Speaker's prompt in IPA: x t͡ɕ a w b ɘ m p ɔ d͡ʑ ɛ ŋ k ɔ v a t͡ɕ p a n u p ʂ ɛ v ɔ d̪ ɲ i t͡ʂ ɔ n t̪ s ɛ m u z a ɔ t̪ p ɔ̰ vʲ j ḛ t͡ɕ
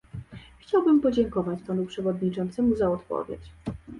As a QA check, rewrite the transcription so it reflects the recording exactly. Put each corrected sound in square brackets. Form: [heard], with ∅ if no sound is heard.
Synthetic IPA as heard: x t͡ɕ a w b ɘ m p ɔ d͡ʑ ɛ ŋ k ɔ v a t͡ɕ p a n u p ʂ ɛ v ɔ d̪ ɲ i t͡ʂ ɔ n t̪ s ɛ m u z a ɔ t̪ p ɔ̰ vʲ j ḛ t͡ɕ